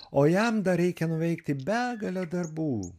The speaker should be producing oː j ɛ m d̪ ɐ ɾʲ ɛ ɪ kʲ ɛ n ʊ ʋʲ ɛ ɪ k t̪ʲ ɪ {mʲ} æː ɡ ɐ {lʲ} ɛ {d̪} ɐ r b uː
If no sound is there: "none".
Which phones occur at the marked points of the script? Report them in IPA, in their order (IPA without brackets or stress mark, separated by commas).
bʲ, lʲ, d̪